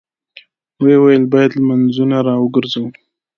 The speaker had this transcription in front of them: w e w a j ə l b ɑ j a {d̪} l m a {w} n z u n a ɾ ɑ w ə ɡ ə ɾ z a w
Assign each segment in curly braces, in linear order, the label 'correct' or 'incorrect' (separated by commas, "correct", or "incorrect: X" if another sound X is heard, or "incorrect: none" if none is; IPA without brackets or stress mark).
correct, incorrect: none